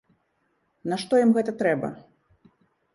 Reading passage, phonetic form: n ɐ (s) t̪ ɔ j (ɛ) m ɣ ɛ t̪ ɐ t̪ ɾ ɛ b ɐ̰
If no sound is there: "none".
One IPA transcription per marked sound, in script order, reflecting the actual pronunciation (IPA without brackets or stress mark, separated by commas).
ʂ, i